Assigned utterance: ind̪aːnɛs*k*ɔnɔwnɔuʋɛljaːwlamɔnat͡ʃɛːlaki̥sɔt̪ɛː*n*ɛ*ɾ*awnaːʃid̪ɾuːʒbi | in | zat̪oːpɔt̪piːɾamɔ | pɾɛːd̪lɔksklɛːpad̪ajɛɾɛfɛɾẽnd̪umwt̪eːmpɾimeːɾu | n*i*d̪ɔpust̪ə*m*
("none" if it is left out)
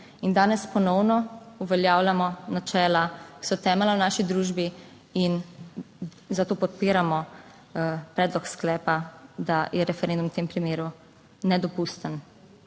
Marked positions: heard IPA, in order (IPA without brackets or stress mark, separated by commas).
p, m, l, ɛ, n